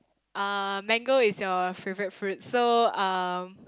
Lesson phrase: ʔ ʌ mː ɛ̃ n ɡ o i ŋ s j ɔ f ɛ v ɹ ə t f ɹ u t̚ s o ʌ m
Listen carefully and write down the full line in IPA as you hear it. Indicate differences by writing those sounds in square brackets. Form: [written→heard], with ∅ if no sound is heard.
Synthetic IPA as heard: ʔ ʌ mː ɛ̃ [n→ŋ] ɡ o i [ŋ→∅] s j ɔ f [ɛ→e] v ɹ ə t f ɹ u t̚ s o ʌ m